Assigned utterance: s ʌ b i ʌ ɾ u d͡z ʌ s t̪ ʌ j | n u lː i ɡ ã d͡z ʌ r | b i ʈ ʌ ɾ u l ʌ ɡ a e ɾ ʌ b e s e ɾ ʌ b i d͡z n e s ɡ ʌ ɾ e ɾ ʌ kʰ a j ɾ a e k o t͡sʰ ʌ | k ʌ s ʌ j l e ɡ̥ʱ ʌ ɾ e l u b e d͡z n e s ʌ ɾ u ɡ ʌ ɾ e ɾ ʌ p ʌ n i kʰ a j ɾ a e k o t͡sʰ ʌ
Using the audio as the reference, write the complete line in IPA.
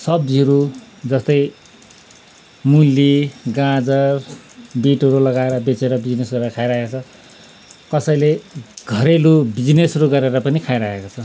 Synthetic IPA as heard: s ʌ b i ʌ ɾ u d͡z ʌ s t̪ ʌ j | m u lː i ɡ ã d͡z ʌ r | b i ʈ ʌ ɾ u l ʌ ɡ a e ɾ ʌ b e t͡s e ɾ ʌ b i d͡z n e s ɡ ʌ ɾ e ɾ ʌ kʰ a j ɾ a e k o t͡sʰ ʌ | k ʌ s ʌ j l e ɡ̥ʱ ʌ ɾ e l u b i d͡z n e s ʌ ɾ u ɡ ʌ ɾ e ɾ ʌ p ʌ n i kʰ a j ɾ a e k o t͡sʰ ʌ